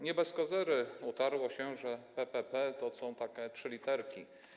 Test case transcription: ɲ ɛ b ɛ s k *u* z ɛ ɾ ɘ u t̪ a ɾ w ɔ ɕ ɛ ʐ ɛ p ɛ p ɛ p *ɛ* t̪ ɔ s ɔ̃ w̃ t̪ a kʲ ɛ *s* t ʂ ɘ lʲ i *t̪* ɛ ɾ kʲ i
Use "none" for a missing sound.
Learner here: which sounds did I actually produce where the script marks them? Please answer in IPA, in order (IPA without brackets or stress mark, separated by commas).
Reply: ɔ, ɛ, none, t̪